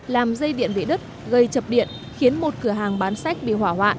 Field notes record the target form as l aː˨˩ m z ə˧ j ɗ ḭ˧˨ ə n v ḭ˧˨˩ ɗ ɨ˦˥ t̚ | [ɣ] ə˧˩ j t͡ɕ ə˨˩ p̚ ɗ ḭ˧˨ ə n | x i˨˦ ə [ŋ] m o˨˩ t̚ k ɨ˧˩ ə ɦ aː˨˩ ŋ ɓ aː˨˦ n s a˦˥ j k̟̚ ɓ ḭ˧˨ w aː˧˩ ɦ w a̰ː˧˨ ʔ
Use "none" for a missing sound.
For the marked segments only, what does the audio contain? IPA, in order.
ɣ, n

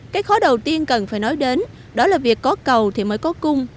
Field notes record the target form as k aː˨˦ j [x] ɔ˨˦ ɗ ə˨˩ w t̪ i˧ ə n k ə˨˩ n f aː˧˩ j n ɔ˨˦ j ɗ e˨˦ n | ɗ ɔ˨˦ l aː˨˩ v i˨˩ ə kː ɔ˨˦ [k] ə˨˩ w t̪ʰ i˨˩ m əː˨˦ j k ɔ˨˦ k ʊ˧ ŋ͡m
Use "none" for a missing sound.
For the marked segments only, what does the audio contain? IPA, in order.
x, k

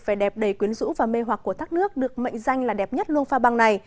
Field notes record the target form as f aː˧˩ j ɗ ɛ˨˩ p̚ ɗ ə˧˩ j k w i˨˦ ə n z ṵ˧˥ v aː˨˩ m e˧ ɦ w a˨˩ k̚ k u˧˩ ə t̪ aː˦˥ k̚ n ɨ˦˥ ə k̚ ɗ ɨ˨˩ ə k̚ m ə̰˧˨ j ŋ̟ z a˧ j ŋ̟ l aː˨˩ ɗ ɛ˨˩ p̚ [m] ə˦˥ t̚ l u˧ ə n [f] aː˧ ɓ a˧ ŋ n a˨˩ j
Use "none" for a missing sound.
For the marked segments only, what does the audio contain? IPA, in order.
ɲ, f

